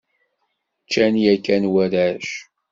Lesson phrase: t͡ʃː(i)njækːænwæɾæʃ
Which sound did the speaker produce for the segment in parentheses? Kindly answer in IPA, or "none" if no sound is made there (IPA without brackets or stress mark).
æ